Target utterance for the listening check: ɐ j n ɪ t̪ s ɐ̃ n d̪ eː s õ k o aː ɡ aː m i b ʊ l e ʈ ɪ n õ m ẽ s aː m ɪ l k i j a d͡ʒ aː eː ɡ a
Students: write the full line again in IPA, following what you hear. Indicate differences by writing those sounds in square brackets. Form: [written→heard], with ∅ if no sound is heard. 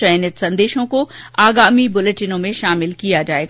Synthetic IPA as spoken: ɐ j n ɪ t̪ s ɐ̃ n d̪ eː [s→ʃ] õ k o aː ɡ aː m i b ʊ l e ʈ ɪ n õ m ẽ [s→ʃ] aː m ɪ l k i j a d͡ʒ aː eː ɡ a